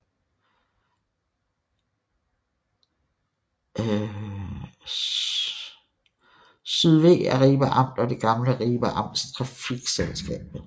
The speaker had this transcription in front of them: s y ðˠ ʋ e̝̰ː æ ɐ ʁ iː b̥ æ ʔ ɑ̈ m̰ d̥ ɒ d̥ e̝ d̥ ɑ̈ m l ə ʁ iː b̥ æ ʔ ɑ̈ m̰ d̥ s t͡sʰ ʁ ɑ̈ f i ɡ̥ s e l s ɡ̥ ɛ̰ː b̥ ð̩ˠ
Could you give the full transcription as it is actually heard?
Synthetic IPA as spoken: s y ðˠ ʋ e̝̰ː æ ɐ ʁ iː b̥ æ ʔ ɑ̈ m̰ d̥ ɒ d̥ e̝ ɡ̥ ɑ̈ m l ə ʁ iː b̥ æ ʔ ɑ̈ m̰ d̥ s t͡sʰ ʁ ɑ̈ f i ɡ̥ s e l s ɡ̥ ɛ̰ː b̥ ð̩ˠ